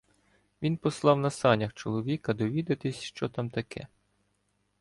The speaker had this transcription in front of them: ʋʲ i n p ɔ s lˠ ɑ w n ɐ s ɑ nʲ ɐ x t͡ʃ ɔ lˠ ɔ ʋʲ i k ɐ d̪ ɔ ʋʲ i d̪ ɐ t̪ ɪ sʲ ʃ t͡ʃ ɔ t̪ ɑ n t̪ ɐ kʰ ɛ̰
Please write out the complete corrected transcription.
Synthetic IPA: ʋʲ i n p ɔ s lˠ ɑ w n ɐ s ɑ nʲ ɐ x t͡ʃ ɔ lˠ ɔ ʋʲ i k ɐ d̪ ɔ ʋʲ i d̪ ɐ t̪ ɪ sʲ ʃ t͡ʃ ɔ t̪ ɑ m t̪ ɐ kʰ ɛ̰